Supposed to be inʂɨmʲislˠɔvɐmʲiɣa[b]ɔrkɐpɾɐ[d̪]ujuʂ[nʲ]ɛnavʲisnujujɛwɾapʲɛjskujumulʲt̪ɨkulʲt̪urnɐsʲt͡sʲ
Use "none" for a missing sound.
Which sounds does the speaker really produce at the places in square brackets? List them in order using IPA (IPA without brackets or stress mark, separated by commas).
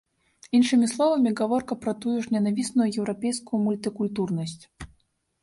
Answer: v, t̪, nʲ